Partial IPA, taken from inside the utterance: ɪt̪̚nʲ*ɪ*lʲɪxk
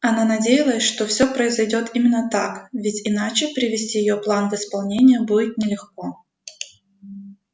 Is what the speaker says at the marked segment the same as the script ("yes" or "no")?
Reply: yes